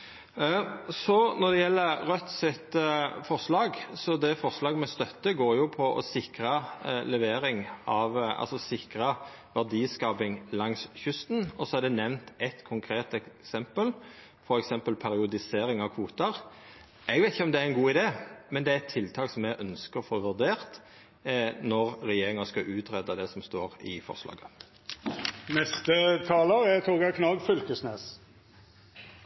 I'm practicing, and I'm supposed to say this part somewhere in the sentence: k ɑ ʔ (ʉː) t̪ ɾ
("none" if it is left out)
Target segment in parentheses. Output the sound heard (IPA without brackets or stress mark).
ʉː